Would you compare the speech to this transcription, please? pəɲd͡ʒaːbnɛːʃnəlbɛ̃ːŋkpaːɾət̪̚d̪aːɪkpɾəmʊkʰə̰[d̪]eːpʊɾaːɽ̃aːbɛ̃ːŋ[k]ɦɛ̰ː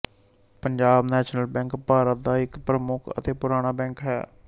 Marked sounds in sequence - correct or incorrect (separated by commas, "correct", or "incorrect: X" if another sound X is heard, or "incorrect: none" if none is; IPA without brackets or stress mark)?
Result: incorrect: t̪, correct